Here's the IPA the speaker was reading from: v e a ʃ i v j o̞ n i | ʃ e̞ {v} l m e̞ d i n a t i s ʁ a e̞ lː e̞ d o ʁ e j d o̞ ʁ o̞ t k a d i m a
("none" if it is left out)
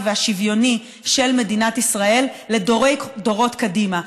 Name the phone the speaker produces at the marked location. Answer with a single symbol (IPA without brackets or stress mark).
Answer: none